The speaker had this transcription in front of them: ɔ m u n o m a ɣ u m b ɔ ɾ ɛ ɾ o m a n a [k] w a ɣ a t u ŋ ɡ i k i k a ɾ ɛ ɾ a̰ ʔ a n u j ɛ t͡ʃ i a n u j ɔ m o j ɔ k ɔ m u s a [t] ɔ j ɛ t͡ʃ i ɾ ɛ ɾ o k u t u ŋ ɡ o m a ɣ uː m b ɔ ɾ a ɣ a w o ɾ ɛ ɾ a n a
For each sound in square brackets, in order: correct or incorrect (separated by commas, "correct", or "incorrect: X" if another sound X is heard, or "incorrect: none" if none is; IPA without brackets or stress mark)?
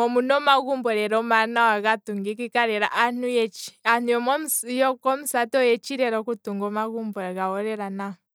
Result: incorrect: none, correct